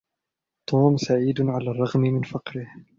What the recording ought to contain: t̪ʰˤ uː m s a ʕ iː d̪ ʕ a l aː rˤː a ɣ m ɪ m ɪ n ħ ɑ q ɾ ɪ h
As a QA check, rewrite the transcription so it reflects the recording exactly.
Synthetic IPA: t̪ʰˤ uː m s a ʕ iː d̪ ʕ a l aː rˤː ɑ ɣ m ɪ m ɪ n f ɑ q ɾ ɪ h